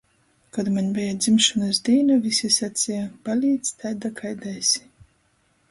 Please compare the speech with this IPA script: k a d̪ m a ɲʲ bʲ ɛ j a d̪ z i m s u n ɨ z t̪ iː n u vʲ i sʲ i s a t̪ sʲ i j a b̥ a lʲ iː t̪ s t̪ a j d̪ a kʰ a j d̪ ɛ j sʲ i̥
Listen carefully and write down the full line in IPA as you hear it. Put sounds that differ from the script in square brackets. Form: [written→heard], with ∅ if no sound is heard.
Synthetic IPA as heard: k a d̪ m a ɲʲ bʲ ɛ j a d̪ z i m [s→ʃ] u n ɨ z [t̪→d̪] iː n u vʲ i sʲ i s a t̪ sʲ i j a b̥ a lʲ iː t̪ s t̪ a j d̪ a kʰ a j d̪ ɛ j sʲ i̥